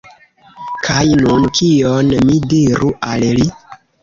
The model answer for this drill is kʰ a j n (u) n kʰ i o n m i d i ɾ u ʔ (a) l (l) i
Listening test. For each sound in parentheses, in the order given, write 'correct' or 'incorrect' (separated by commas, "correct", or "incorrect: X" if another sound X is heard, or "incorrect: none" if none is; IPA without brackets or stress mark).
correct, correct, correct